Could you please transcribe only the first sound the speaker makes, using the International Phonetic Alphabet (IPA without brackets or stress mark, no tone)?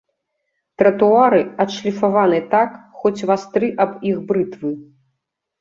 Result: t̪